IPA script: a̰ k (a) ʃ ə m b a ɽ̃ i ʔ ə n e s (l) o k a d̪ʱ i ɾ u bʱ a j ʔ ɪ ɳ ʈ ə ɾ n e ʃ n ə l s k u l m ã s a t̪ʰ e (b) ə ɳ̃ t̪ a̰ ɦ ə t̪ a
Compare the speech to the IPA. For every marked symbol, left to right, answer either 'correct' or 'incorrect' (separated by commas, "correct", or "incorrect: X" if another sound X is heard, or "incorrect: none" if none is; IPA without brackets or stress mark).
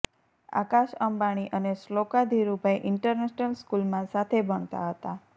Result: correct, correct, correct